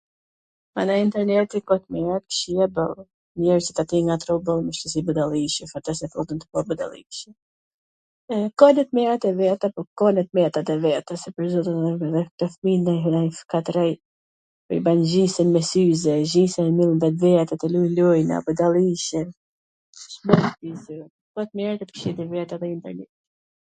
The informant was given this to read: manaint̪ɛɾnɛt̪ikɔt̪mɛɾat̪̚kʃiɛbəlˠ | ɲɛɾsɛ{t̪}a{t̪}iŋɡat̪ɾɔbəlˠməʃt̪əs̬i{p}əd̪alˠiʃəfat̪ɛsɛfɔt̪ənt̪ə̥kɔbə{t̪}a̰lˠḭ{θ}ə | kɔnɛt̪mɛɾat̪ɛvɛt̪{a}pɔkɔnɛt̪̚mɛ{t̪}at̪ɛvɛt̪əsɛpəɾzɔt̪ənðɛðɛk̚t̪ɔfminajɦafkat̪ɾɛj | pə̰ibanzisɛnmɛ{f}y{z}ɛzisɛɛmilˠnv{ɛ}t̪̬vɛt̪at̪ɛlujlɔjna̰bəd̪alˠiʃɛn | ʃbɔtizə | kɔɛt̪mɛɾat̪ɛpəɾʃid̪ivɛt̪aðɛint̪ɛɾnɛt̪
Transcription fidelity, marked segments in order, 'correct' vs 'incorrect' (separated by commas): correct, correct, incorrect, incorrect, incorrect, correct, correct, incorrect, correct, correct